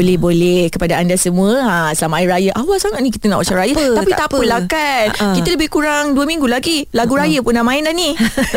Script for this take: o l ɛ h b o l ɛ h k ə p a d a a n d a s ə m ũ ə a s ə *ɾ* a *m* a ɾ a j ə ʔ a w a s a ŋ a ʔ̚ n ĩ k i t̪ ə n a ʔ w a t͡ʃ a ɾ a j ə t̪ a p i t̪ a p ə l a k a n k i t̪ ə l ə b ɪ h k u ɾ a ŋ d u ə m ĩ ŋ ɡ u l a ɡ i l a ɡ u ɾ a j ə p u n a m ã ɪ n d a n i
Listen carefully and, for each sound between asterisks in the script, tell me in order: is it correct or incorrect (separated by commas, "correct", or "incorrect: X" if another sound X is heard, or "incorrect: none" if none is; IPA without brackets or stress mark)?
incorrect: l, correct